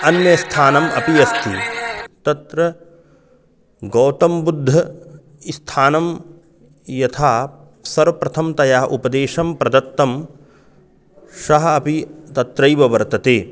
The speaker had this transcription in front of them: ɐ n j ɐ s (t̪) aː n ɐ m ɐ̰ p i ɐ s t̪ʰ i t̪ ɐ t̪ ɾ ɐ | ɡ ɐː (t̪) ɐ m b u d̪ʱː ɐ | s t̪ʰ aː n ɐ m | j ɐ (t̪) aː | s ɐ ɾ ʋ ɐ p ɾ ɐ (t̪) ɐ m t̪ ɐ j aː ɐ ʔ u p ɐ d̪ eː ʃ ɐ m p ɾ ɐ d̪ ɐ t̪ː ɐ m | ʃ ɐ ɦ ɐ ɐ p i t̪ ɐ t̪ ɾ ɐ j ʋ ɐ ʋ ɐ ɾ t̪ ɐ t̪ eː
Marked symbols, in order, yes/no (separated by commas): no, yes, no, no